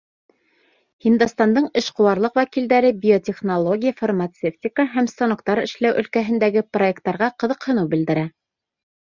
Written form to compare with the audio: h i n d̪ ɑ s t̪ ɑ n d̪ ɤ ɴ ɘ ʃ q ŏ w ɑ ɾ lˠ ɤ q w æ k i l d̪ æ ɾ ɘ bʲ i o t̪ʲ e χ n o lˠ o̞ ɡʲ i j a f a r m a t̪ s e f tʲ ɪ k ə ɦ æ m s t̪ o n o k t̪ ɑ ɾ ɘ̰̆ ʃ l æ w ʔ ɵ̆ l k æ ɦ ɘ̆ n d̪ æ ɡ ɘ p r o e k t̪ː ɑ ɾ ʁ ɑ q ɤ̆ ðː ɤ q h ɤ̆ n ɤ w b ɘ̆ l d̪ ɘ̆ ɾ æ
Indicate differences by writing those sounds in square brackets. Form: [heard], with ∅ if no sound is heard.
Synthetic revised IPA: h i n d̪ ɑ s t̪ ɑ n d̪ ɤ ɴ ɘ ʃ q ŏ w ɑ ɾ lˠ ɤ q w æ k i l d̪ æ ɾ ɘ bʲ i o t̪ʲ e χ n o lˠ o̞ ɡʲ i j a f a r m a t̪ s e f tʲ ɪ k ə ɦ æ m s t̪ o n o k t̪ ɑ ɾ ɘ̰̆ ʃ l æ w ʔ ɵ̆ l k æ ɦ ɘ̆ n d̪ æ ɡ ɘ p r o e k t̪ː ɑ ɾ ʁ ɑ q ɤ̆ [ð] ɤ q h ɤ̆ n ɤ w b ɘ̆ l d̪ ɘ̆ ɾ æ